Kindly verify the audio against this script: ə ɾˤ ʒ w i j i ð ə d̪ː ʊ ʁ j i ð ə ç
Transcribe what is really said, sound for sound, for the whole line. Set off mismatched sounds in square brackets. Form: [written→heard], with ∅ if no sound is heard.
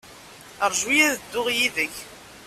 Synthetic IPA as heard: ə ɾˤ ʒ w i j [i→æ] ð ə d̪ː ʊ ʁ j i ð ə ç